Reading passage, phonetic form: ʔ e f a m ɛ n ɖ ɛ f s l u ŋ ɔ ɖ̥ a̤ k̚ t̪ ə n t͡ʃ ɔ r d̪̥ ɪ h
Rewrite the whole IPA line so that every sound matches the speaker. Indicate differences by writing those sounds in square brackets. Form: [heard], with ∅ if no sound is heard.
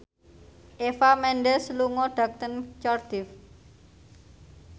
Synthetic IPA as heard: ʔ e f a m ɛ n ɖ ɛ [∅] s l u ŋ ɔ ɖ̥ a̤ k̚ t̪ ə n t͡ʃ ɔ r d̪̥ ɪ [f]